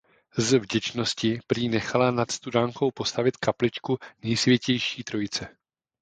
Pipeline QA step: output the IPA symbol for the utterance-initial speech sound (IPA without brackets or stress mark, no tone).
z